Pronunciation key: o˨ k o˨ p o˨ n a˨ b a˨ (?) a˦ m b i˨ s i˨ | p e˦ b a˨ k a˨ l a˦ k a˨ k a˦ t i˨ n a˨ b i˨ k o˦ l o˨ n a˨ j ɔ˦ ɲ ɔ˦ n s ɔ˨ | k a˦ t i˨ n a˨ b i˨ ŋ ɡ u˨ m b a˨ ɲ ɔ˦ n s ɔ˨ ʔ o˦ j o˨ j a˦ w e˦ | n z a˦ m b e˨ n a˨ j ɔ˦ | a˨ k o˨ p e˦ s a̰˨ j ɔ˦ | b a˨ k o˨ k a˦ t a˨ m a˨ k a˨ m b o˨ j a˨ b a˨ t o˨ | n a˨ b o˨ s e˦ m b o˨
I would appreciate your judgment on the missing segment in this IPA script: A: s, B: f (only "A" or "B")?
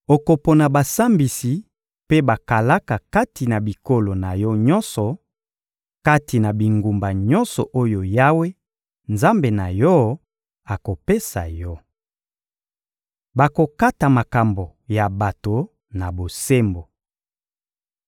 A